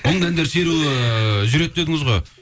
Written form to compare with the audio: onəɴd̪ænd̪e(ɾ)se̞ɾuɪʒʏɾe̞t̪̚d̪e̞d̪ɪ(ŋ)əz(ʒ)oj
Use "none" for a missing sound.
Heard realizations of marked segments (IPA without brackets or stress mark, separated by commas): ɾ, ŋ, ʁ